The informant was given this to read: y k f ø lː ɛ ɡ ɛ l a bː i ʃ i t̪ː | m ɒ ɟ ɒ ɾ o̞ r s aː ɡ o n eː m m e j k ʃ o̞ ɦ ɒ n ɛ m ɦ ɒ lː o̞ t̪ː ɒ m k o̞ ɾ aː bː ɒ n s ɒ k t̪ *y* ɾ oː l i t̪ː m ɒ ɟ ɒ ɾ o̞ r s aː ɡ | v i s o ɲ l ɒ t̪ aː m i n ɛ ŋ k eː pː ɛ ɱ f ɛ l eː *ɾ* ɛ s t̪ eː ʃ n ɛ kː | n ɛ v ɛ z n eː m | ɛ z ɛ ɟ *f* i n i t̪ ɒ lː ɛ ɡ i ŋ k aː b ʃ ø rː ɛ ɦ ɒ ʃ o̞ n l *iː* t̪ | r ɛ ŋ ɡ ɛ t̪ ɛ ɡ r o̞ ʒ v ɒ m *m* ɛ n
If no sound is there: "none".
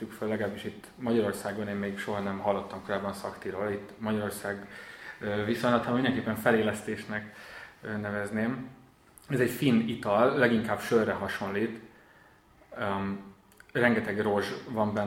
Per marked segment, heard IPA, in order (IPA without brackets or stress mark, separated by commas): i, l, f, iː, b